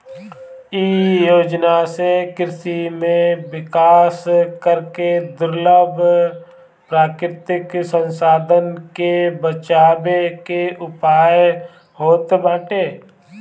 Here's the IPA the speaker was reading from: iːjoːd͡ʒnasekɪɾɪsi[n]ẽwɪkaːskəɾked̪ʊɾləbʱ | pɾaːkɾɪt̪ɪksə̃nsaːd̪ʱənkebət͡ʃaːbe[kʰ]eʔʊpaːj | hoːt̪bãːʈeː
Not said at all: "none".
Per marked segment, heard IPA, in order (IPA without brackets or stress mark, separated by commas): m, k